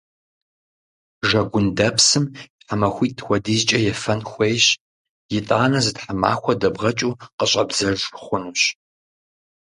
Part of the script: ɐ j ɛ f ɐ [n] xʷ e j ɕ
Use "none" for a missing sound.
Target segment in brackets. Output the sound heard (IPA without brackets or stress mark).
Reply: n